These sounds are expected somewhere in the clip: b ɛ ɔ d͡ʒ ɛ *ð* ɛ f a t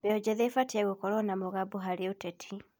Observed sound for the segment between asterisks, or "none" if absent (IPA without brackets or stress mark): ð